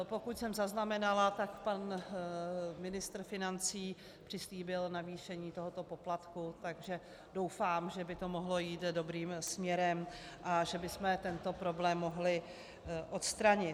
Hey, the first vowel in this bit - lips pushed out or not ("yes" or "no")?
yes